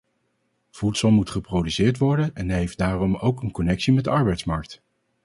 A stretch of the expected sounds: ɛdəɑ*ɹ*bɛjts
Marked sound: correct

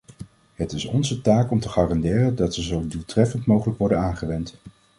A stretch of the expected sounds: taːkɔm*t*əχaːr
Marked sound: correct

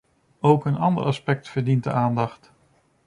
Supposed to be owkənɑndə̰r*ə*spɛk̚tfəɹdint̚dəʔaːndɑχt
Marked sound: incorrect: ɑ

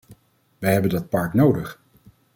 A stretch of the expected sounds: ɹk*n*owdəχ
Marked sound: correct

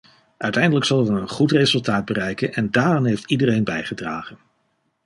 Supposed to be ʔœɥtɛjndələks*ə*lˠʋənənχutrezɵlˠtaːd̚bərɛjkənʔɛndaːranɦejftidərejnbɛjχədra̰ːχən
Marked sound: incorrect: ɑ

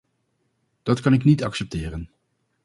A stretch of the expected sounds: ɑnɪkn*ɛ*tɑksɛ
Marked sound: incorrect: i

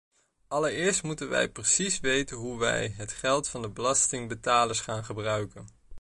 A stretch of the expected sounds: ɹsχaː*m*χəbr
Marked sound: incorrect: n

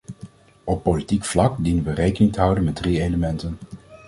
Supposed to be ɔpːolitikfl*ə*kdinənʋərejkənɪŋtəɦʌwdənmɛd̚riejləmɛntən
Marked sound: incorrect: ɑ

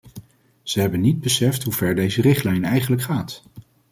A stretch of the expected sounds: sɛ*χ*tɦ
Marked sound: incorrect: f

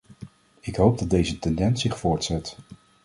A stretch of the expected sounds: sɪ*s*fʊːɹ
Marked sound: incorrect: χ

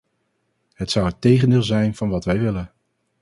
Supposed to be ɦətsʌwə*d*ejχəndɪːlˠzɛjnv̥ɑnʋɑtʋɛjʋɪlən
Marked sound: incorrect: t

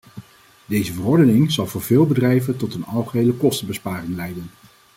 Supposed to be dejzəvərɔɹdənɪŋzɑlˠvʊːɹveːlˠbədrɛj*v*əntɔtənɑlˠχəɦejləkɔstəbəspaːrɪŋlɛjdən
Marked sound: correct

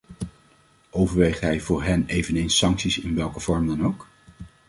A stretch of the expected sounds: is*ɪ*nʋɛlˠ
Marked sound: correct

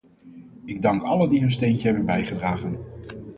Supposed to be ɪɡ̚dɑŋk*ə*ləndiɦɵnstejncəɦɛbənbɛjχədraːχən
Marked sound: incorrect: ɑ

